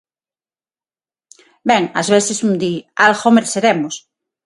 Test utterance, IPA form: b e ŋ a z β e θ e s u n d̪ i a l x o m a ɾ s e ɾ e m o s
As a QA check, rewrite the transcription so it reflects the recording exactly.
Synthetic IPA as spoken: b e ŋ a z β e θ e s u n d̪ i a l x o m e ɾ s e ɾ e m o s